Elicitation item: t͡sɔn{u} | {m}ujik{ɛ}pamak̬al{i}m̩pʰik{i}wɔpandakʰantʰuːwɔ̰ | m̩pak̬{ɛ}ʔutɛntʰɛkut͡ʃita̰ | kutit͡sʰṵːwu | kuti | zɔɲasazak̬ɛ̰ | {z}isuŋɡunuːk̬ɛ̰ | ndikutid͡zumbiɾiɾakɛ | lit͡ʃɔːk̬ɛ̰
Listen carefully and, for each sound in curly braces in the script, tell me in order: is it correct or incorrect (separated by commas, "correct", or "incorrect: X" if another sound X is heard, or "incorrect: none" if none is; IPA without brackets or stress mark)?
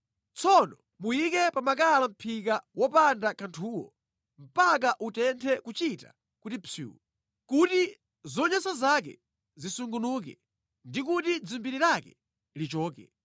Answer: incorrect: ɔ, correct, correct, incorrect: a, incorrect: a, incorrect: a, correct